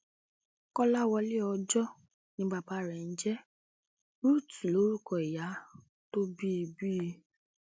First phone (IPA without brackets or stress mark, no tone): k